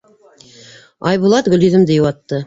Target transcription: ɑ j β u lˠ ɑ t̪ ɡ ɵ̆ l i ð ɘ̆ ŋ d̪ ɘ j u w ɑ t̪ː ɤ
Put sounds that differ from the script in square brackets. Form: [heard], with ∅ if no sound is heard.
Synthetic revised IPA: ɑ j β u lˠ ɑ t̪ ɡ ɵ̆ l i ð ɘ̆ [m] d̪ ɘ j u w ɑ t̪ː ɤ